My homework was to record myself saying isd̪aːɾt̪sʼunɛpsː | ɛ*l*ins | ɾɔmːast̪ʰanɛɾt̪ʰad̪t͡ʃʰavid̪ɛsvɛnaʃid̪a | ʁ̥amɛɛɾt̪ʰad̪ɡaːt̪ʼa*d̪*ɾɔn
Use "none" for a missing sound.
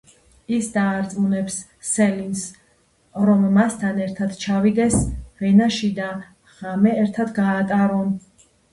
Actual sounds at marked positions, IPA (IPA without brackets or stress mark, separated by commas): l, none